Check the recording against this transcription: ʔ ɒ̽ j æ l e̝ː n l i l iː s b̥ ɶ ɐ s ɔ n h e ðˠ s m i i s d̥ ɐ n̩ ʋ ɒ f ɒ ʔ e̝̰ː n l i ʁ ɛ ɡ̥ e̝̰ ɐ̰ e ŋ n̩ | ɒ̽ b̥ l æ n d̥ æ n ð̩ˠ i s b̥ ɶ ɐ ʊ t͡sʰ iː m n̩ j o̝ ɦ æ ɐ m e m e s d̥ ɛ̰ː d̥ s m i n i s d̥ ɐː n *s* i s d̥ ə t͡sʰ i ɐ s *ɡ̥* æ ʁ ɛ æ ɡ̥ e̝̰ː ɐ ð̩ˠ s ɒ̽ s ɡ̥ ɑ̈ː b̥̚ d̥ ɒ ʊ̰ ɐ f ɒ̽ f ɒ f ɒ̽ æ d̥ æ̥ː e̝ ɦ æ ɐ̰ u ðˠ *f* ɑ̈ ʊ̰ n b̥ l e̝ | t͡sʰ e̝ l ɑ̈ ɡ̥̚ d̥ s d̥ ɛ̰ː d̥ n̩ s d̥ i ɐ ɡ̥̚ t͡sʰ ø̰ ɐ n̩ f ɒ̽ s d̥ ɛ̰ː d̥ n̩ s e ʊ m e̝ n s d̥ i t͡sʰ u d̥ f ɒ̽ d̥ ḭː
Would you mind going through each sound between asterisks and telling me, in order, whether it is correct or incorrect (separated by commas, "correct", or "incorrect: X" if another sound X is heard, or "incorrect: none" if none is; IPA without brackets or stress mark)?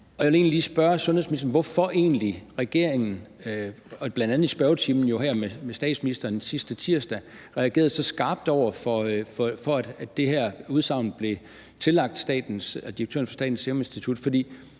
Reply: correct, incorrect: d̥, incorrect: s